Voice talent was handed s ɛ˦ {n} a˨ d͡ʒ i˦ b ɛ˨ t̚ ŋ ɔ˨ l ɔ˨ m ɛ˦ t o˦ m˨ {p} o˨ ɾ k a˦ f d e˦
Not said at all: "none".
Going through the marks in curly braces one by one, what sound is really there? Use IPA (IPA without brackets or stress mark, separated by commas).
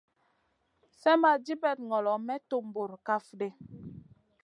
m, b